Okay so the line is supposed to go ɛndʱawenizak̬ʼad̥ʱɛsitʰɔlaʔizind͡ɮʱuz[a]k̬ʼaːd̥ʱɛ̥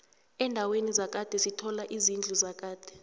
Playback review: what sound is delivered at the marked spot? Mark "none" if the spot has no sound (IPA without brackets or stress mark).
a